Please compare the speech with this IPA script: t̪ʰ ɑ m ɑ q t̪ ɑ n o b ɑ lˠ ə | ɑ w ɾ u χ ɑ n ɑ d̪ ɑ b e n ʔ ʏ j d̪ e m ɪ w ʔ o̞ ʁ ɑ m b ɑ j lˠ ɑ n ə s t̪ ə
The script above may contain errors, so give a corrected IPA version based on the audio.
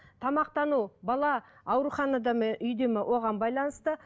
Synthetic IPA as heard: t̪ʰ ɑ m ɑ q t̪ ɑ n u b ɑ lˠ ɑ | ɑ w ɾ u χ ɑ n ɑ d̪ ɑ m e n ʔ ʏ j d̪ e m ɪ w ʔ o̞ ʁ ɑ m b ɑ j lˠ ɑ n ə s t̪ ə